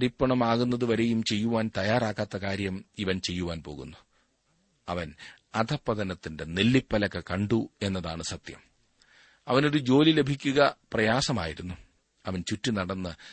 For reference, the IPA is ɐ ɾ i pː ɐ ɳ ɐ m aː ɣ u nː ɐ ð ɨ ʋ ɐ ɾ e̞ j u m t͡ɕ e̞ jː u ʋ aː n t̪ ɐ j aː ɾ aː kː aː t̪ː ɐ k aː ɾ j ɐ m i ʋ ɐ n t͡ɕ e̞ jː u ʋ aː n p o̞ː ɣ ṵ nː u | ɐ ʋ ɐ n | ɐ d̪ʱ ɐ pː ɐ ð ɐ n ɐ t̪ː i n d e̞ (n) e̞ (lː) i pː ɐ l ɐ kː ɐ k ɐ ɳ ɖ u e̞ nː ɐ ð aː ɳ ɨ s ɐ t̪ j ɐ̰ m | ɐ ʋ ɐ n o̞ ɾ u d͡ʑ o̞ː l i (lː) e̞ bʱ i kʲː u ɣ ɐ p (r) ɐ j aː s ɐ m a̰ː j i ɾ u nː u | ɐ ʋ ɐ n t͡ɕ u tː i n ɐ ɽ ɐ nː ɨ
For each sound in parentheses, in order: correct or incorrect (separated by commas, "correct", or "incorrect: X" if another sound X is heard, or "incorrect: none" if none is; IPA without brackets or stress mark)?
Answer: correct, correct, incorrect: l, correct